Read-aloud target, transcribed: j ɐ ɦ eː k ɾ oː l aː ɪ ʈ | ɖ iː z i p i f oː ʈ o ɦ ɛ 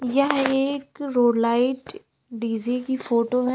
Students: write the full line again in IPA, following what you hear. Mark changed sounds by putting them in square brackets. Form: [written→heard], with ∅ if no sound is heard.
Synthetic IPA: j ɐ ɦ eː k ɾ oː l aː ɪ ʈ | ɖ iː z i [p→k] i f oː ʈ o ɦ ɛ